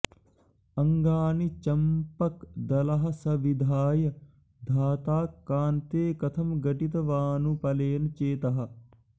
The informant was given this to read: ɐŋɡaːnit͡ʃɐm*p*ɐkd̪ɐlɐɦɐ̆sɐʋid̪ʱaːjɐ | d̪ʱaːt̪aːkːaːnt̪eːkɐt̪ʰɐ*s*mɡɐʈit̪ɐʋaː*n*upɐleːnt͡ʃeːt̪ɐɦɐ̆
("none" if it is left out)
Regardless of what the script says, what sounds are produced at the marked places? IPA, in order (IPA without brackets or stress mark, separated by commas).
p, none, n